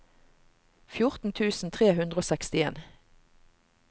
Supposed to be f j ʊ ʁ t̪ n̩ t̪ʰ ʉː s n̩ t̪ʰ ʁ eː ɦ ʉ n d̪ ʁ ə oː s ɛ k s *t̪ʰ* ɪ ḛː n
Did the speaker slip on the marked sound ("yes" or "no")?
yes